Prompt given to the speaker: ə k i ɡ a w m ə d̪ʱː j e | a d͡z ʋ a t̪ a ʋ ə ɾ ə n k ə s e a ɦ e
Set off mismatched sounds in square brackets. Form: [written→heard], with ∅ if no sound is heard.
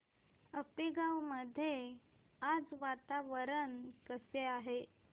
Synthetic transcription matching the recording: ə [k→p] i ɡ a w m ə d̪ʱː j e | a d͡z ʋ a t̪ a ʋ ə ɾ ə n k ə s e a ɦ e